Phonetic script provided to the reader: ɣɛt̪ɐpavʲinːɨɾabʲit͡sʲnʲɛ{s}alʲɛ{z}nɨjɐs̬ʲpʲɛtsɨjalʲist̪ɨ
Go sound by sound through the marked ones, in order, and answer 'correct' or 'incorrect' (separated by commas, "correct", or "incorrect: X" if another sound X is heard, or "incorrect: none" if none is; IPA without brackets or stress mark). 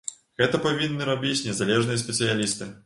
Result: incorrect: z, incorrect: ʐ